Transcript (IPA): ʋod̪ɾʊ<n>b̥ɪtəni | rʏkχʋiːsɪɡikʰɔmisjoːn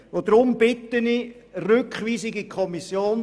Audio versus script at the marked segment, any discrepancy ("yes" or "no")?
yes